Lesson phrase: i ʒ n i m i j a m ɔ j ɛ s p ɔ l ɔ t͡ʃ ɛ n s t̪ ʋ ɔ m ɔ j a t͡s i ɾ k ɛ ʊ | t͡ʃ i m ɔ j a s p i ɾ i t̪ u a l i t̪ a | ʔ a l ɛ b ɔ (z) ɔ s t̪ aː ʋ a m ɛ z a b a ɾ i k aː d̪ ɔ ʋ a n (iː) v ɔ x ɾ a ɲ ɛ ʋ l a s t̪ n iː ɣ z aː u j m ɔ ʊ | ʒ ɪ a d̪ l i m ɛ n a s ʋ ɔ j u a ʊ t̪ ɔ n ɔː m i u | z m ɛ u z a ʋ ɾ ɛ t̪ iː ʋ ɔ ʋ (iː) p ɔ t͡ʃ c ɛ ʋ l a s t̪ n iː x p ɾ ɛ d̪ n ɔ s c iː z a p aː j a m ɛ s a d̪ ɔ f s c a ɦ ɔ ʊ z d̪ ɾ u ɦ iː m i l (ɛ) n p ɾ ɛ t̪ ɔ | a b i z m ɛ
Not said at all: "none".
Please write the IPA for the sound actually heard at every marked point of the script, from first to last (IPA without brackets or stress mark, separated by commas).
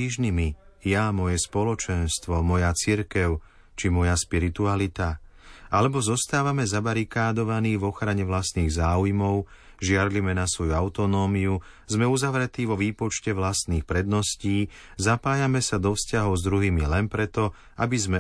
z, iː, iː, ɛ